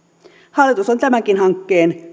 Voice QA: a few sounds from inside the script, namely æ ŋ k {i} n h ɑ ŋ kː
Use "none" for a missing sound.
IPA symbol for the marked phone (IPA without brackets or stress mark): i